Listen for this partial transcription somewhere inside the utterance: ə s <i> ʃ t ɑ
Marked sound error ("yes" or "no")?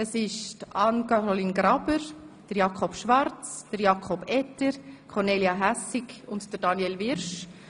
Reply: yes